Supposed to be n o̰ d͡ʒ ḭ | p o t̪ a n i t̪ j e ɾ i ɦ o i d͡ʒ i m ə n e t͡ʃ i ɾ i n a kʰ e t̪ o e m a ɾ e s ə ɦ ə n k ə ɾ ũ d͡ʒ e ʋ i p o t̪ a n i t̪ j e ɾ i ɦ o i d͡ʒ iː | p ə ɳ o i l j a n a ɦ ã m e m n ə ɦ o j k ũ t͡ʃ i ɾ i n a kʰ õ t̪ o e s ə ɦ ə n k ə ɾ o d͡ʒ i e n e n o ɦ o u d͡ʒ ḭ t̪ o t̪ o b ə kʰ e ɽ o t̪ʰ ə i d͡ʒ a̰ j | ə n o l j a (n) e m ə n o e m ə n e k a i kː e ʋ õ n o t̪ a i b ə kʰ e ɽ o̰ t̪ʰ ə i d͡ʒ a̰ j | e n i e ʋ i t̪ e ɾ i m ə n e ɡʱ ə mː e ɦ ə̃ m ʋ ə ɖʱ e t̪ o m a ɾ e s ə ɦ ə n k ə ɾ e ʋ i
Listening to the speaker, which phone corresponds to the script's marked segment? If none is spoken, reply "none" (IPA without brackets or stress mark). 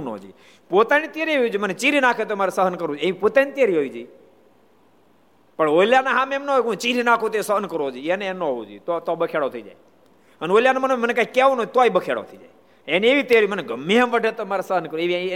n